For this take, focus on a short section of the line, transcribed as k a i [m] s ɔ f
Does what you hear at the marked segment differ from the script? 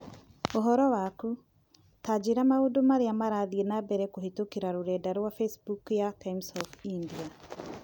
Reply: no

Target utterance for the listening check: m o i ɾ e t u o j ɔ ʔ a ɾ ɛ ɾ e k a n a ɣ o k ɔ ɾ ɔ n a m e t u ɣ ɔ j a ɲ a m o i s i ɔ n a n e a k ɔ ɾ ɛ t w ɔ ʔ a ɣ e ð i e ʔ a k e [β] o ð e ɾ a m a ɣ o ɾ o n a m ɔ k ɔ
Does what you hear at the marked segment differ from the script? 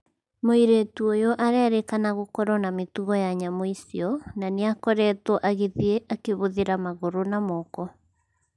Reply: no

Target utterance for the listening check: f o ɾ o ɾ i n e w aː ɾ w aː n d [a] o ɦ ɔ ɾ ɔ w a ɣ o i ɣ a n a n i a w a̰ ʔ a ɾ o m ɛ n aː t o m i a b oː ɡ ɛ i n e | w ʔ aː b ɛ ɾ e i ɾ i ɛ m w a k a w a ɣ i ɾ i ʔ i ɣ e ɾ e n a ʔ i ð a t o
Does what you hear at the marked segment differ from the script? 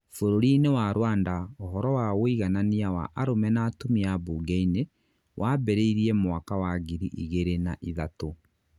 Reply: no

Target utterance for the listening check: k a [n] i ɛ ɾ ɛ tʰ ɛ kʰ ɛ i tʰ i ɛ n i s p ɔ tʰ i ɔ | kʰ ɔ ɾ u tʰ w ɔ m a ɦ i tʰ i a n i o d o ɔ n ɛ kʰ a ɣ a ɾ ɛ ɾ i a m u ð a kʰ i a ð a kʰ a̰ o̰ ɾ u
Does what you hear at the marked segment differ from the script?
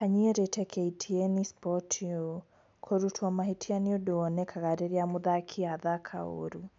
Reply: yes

